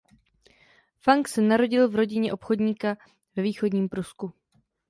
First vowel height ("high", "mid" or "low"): low